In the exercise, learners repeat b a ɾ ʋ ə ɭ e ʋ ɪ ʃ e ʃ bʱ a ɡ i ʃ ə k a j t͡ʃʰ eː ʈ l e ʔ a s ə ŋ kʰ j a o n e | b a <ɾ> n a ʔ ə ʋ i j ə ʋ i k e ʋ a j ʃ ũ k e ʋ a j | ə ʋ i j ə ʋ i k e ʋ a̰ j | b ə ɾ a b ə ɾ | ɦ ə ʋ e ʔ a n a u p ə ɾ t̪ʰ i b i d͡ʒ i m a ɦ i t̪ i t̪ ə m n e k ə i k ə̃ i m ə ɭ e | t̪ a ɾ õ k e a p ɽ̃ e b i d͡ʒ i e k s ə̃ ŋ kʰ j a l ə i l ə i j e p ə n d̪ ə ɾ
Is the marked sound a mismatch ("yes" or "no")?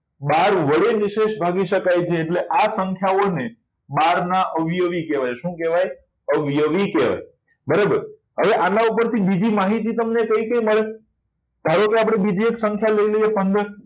no